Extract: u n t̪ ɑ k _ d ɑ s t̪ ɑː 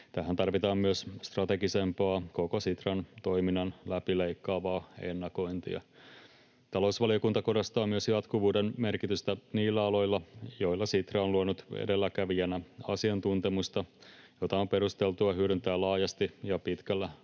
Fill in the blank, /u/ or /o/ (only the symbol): o